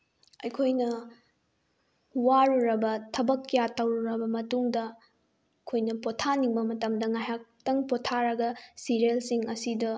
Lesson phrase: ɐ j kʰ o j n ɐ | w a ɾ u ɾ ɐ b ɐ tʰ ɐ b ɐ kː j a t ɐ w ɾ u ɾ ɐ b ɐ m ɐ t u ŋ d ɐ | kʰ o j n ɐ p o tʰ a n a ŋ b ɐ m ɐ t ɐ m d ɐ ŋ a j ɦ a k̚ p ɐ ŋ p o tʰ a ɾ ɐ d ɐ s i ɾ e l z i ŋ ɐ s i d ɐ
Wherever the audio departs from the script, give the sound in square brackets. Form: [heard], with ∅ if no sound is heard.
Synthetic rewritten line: ɐ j kʰ o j n ɐ | w a ɾ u ɾ ɐ b ɐ tʰ ɐ b ɐ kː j a t ɐ w ɾ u ɾ ɐ b ɐ m ɐ t u ŋ d ɐ | kʰ o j n ɐ p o tʰ a n [i] ŋ b ɐ m ɐ t ɐ m d ɐ ŋ a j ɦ a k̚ [t] ɐ ŋ p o tʰ a ɾ ɐ [ɡ] ɐ s i ɾ e l [s] i ŋ ɐ s i d ɐ